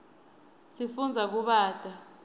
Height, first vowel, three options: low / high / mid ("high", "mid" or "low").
high